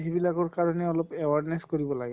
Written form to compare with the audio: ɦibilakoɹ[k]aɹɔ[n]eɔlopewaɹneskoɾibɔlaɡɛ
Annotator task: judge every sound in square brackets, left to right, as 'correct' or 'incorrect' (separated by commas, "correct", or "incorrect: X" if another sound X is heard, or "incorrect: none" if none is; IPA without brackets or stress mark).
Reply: correct, correct